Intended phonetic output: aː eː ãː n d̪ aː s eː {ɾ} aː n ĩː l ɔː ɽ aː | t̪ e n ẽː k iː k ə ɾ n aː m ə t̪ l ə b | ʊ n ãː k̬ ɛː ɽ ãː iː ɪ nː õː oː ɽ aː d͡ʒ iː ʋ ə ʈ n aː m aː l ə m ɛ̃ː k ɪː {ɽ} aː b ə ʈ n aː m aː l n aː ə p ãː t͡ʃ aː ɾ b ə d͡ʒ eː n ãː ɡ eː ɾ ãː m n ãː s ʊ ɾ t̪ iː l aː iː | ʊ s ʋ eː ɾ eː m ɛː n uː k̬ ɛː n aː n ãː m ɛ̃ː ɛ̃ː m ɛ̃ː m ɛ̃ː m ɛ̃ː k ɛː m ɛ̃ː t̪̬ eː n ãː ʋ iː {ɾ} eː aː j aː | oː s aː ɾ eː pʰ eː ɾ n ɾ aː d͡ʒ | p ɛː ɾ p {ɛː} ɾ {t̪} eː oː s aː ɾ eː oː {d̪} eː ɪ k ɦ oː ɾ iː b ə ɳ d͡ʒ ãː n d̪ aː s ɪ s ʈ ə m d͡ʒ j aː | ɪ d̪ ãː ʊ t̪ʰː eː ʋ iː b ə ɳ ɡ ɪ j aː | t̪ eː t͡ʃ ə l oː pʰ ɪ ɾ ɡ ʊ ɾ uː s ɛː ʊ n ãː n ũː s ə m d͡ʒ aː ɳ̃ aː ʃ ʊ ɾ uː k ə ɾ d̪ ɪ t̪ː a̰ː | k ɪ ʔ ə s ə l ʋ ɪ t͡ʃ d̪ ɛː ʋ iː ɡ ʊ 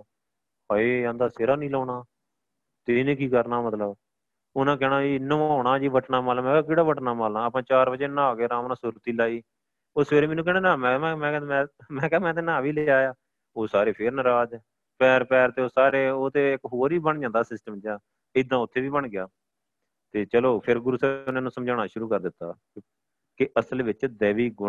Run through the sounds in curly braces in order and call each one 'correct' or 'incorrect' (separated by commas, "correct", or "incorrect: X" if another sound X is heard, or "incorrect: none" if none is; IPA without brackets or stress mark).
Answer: correct, correct, incorrect: l, correct, correct, incorrect: t̪